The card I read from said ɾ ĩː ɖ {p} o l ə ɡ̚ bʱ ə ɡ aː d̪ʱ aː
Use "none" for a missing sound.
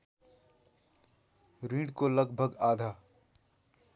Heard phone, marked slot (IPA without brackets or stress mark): k